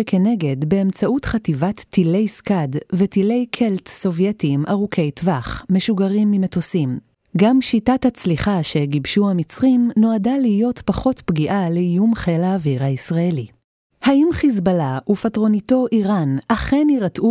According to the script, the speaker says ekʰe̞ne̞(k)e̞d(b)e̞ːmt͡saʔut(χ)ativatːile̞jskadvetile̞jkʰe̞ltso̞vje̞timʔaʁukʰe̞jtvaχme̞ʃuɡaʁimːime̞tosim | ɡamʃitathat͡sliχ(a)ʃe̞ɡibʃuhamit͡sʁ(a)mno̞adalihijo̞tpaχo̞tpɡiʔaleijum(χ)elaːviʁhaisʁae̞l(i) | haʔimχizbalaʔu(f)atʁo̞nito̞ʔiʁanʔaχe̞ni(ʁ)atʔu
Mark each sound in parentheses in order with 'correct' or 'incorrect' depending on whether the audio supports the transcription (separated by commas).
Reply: incorrect, correct, correct, correct, incorrect, correct, correct, correct, correct